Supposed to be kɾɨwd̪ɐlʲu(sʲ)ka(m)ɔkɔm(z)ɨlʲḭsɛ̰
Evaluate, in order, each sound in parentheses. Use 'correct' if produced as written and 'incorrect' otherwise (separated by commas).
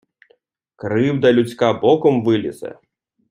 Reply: incorrect, incorrect, incorrect